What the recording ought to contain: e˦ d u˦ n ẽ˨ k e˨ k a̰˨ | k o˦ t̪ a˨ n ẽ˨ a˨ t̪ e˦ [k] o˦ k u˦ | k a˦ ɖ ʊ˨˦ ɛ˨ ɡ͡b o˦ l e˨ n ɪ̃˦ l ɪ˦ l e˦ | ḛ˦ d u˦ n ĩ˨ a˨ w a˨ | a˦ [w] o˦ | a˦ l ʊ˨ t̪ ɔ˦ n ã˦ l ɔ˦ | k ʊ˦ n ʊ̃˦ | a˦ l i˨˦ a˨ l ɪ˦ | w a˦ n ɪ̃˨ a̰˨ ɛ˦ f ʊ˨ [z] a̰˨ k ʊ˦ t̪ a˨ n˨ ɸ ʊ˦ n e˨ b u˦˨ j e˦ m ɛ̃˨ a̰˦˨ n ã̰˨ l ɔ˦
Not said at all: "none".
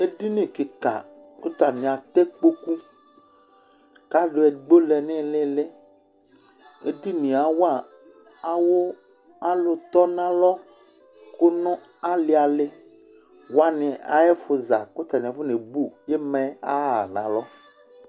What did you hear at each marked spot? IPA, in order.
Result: k͡p, w, z

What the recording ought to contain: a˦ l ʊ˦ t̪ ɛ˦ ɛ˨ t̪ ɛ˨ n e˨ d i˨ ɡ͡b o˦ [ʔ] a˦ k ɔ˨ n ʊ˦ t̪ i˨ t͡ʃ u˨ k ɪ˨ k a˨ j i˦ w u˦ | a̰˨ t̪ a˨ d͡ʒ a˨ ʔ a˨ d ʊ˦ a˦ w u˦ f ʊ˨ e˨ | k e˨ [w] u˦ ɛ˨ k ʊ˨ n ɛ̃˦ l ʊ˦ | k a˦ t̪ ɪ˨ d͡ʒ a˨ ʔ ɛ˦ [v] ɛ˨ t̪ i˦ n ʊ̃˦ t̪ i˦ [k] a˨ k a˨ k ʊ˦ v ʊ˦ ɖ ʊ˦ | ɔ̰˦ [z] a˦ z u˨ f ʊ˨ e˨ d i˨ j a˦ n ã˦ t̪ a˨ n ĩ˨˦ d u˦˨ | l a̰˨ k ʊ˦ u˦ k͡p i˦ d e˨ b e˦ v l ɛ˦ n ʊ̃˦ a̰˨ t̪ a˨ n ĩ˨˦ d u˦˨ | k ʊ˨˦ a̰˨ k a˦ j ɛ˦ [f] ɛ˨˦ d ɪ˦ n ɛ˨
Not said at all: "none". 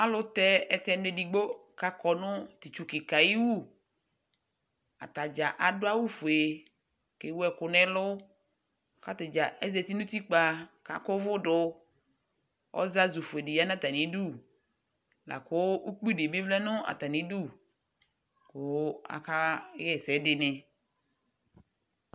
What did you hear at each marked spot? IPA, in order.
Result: k, w, z, k͡p, z, s

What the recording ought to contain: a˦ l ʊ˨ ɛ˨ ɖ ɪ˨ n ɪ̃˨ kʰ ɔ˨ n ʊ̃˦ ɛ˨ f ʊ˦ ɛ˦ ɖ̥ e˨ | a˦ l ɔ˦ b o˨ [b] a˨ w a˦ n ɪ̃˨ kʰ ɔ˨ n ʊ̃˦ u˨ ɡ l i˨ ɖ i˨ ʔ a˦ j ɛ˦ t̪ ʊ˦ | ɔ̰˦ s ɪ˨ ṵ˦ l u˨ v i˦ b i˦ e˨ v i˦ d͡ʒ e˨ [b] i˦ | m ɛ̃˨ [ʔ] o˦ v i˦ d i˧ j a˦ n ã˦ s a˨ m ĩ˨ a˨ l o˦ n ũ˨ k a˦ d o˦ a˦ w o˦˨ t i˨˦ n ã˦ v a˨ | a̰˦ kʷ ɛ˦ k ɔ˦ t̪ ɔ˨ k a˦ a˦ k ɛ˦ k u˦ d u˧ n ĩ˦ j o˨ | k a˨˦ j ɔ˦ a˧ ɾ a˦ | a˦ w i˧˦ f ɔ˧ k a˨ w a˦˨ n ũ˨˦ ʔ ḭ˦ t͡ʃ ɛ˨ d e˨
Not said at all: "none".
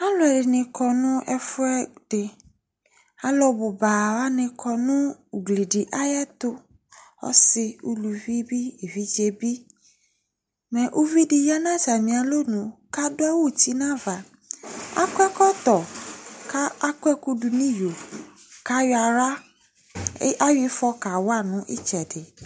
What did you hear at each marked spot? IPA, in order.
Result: b, b, ʔ

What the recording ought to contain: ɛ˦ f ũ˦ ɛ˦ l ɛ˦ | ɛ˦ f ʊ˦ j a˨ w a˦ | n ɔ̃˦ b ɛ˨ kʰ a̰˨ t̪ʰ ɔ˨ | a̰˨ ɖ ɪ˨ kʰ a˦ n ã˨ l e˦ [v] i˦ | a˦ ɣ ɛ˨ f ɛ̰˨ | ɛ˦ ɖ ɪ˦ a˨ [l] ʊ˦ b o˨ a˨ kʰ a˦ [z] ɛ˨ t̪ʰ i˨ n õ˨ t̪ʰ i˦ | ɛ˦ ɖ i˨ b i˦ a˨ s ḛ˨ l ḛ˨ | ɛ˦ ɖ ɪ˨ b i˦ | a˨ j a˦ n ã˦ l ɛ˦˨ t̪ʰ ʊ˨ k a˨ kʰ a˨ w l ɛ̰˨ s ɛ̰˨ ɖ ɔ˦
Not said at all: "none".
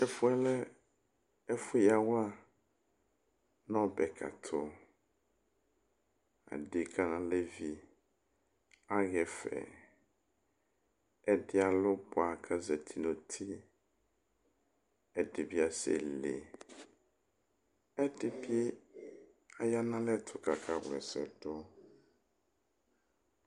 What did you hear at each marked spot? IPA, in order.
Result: v, l, z

